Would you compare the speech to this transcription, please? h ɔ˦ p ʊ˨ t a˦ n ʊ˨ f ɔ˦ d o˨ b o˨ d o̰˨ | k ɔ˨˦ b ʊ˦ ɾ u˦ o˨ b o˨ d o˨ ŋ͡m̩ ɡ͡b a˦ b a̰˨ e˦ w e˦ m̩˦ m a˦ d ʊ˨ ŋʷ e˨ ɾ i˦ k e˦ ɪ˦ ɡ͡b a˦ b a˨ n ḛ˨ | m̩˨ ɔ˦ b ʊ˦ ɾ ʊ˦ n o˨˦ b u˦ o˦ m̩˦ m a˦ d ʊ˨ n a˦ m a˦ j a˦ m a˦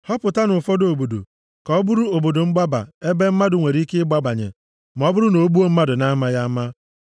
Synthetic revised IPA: h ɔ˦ p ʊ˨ t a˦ n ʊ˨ f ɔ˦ d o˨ b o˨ d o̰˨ | k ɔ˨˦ b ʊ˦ ɾ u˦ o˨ b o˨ d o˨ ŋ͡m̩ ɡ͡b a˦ b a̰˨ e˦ b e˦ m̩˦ m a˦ d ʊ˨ ŋʷ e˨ ɾ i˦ k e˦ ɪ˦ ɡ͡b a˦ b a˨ ɲ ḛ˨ | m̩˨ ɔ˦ b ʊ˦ ɾ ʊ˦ n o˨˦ b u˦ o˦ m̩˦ m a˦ d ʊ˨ n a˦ m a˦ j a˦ m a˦